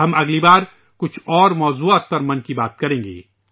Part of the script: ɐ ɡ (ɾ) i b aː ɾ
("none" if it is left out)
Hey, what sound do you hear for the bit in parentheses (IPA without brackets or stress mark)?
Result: l